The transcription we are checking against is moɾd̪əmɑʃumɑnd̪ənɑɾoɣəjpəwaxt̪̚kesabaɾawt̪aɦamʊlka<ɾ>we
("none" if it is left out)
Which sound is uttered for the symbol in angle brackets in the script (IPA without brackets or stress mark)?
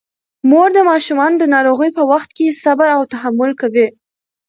none